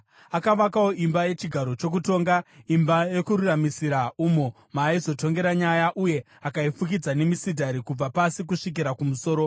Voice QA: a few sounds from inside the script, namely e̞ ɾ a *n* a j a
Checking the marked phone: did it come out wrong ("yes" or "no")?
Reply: yes